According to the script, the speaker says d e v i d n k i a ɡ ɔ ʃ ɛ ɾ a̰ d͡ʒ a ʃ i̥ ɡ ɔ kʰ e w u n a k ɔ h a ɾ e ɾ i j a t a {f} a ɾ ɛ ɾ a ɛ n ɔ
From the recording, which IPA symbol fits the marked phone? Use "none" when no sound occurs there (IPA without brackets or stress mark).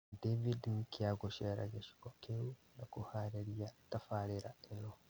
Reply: f